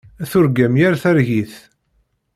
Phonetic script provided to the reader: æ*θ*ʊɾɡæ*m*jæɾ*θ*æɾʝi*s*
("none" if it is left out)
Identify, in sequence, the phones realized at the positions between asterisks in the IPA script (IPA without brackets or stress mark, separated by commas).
θ, m, θ, θ